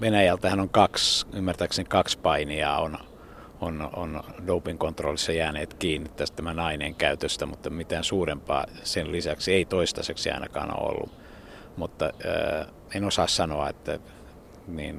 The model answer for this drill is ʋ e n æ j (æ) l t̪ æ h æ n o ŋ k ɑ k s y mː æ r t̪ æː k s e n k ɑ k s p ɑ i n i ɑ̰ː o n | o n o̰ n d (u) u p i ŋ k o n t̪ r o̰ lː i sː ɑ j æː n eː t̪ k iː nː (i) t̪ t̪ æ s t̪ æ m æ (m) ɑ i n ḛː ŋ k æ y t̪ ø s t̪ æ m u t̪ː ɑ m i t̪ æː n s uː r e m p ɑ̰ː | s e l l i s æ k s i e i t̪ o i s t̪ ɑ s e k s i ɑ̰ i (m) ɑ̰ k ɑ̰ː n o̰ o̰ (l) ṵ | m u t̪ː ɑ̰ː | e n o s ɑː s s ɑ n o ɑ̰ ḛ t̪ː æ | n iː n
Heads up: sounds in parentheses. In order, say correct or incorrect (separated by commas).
correct, incorrect, correct, incorrect, incorrect, incorrect